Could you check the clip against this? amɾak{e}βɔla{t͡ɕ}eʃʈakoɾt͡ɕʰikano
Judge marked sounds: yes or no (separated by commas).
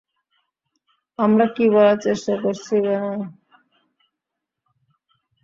no, yes